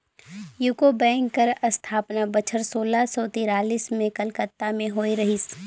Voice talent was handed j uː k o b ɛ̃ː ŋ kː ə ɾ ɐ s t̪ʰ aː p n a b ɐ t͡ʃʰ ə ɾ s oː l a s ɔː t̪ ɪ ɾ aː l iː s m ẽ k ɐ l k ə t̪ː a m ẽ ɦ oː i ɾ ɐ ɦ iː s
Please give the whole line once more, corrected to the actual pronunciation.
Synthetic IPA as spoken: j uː k o b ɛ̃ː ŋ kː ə ɾ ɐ s t̪ʰ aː p n a b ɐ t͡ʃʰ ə ɾ s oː l a s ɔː t̪ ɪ ɾ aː l iː s m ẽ k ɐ l k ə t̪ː a m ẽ ɦ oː i ɾ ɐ ɦ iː s